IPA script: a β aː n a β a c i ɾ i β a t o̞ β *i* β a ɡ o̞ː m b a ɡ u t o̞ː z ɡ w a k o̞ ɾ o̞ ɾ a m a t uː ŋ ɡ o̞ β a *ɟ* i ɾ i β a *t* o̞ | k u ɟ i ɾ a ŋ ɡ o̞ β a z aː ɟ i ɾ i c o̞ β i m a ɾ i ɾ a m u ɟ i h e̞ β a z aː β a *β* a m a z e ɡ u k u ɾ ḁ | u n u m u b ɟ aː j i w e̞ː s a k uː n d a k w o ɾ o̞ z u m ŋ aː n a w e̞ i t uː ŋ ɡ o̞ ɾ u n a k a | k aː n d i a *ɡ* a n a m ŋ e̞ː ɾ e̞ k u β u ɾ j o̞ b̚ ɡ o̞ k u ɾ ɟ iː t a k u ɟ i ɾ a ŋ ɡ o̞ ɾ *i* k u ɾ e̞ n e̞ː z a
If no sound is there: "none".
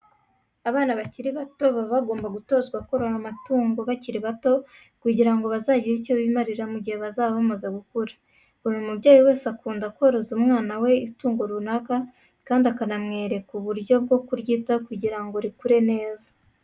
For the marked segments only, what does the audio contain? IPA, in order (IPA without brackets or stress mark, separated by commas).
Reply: a, c, t, β, k, i